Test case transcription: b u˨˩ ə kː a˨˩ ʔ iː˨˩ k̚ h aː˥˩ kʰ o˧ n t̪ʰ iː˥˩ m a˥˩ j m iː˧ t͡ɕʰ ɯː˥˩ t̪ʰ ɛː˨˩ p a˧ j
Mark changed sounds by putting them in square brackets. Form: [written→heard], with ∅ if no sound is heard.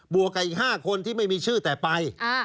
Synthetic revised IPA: b u˨˩ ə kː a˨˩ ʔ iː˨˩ k̚ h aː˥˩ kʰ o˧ n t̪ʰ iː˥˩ m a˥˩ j m iː˧ t͡ɕʰ ɯː˥˩ [t̪ʰ→t̪] ɛː˨˩ p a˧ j